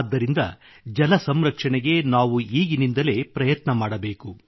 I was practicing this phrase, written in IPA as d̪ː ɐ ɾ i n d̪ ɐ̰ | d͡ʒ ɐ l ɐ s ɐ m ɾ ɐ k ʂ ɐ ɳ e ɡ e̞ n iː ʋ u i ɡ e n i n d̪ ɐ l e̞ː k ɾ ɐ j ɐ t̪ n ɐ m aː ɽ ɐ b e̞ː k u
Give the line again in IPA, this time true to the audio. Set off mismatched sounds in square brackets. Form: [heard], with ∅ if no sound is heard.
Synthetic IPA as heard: d̪ː ɐ ɾ i n d̪ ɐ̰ | d͡ʒ ɐ l ɐ s ɐ m ɾ ɐ k ʂ ɐ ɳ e ɡ e̞ n [aː] ʋ u [iː] ɡ [i] n i n d̪ ɐ l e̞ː [p] ɾ ɐ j ɐ t̪ n ɐ m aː ɽ ɐ b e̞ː k u